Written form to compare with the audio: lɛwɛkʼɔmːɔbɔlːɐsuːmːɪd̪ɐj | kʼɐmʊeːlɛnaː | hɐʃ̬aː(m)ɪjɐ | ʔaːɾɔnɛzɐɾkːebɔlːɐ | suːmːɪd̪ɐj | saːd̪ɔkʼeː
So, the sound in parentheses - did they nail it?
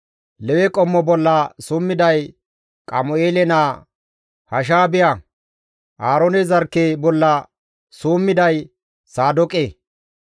no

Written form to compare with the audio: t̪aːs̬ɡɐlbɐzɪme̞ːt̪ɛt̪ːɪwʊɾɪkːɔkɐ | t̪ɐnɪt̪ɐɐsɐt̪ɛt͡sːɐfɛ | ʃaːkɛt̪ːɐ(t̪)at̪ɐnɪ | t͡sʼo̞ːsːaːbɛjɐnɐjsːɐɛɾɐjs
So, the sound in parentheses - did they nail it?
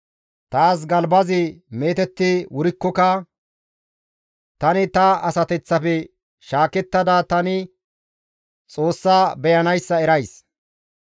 no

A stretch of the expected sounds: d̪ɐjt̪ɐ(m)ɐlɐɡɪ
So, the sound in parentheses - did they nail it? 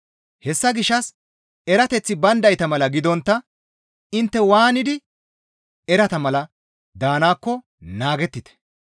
yes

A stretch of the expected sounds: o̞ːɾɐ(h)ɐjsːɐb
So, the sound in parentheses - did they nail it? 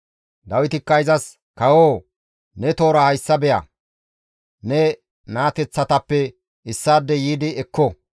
yes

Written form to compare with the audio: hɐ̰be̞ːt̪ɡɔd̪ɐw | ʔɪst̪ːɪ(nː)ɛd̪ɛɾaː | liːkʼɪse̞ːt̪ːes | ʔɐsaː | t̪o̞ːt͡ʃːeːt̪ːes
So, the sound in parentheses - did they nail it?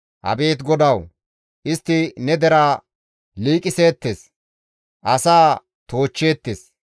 no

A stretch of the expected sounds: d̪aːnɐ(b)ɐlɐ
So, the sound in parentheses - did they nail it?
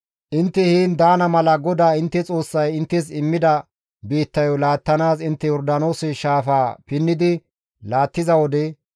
no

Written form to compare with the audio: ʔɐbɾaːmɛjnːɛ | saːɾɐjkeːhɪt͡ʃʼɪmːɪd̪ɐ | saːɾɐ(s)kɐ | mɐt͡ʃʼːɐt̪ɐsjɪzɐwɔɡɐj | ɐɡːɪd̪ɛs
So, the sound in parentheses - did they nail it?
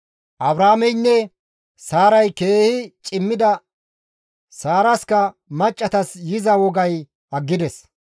yes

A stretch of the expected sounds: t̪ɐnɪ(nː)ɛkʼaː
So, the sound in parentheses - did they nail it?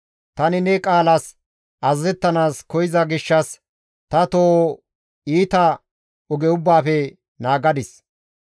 no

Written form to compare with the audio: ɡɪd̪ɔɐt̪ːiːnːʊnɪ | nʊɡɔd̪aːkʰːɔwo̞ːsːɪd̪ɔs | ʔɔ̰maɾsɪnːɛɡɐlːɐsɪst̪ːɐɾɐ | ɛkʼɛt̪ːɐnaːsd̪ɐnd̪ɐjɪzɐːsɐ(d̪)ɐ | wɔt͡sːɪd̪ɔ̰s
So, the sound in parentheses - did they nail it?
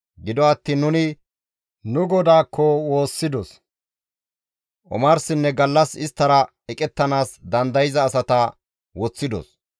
no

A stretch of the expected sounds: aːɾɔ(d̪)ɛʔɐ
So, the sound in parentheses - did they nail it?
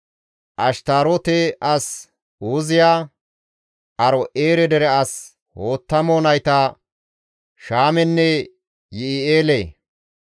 no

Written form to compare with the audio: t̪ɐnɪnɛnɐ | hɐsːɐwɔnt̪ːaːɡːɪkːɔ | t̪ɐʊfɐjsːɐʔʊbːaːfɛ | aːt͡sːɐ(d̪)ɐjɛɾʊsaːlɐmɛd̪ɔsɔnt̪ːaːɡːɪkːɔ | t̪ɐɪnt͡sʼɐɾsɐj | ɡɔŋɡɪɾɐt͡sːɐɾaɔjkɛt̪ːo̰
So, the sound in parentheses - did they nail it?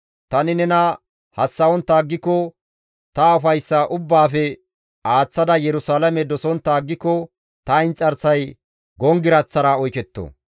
yes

